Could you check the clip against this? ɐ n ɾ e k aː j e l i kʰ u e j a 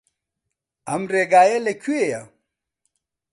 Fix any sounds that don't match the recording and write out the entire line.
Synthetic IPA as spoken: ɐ m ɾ e ɡ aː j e l e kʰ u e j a